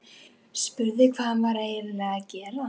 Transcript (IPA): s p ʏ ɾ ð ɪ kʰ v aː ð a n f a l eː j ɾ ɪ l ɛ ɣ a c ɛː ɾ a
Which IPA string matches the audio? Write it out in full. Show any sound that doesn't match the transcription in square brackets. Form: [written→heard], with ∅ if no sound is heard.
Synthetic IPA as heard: s p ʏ ɾ ð ɪ kʰ v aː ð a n [f→v] a [l→ɾ] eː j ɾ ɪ l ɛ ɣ a c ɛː ɾ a